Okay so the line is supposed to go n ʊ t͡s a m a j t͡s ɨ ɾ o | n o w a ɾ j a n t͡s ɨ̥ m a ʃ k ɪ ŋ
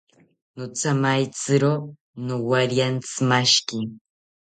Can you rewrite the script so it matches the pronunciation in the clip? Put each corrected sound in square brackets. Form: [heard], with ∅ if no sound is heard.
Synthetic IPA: n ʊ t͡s a m a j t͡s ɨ ɾ o | n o w a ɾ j a n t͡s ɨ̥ m a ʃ k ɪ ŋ

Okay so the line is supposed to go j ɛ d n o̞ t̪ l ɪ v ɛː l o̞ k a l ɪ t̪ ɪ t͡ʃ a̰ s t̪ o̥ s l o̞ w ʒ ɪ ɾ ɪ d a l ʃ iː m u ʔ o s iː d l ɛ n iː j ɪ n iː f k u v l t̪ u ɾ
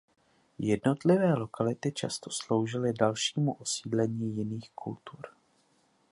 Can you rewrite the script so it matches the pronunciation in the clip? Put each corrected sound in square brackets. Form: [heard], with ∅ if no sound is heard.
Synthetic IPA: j ɛ d n o̞ t̪ l ɪ v ɛː l o̞ k a l ɪ t̪ ɪ t͡ʃ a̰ s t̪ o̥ s l o̞ w ʒ ɪ [l] ɪ d a l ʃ iː m u ʔ o s iː d l ɛ [ɲ] iː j ɪ n iː [x] k u [∅] l t̪ u ɾ

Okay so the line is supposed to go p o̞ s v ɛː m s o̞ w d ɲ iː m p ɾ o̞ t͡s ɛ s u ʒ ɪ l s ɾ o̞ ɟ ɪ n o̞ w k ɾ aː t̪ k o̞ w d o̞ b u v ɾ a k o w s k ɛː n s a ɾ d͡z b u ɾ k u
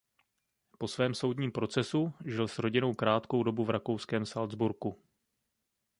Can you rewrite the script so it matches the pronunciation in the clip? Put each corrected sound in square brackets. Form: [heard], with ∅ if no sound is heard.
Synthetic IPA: p o̞ s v ɛː m s o̞ w d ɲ iː m p ɾ o̞ t͡s ɛ s u ʒ ɪ l s ɾ o̞ ɟ ɪ n o̞ w k ɾ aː t̪ k o̞ w d o̞ b u v ɾ a k o w s k ɛː [m] s a [l] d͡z b u ɾ k u

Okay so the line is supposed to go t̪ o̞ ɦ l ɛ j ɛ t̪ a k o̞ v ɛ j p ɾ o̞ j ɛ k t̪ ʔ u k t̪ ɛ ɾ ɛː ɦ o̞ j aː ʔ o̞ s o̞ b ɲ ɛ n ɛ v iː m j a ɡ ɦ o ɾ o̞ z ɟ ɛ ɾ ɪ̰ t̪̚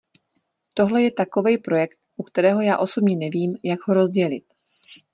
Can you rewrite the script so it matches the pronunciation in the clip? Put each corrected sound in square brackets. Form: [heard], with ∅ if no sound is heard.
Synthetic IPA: t̪ o̞ ɦ l ɛ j ɛ t̪ a k o̞ v ɛ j p ɾ o̞ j ɛ k t̪ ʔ u k t̪ ɛ ɾ ɛː ɦ o̞ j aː ʔ o̞ s o̞ b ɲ ɛ n ɛ v iː m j a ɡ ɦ o ɾ o̞ z ɟ ɛ [l] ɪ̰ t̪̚

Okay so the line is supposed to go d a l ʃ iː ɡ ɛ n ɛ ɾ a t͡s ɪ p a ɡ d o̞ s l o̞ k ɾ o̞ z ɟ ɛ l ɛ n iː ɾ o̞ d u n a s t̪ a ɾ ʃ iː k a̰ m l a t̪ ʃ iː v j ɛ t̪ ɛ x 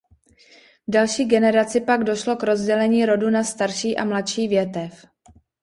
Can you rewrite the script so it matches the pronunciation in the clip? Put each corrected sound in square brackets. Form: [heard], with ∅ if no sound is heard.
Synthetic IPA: d a l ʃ iː ɡ ɛ n ɛ ɾ a t͡s ɪ p a ɡ d o̞ [ʃ] l o̞ k ɾ o̞ z ɟ ɛ l ɛ [ɲ] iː ɾ o̞ d u n a s t̪ a ɾ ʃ iː [ʔ] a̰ m l a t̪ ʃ iː v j ɛ t̪ ɛ [f]

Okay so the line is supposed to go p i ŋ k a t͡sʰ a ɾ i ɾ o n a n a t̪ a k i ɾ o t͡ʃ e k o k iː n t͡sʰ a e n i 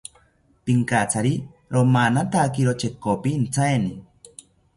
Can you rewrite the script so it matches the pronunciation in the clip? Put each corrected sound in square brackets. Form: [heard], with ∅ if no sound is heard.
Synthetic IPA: p i ŋ k a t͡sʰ a ɾ i ɾ o [m] a n a t̪ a k i ɾ o t͡ʃ e k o [p] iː n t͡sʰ a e n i

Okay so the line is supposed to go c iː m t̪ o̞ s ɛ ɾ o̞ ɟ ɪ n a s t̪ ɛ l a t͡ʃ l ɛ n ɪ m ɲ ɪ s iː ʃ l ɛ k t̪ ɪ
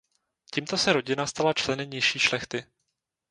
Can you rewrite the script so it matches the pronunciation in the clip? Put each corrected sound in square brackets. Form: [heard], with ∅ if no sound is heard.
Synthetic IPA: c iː m t̪ o̞ s ɛ ɾ o̞ ɟ ɪ n a s t̪ [a] l a t͡ʃ l ɛ n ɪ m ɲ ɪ [ʃ] iː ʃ l ɛ [x] t̪ ɪ

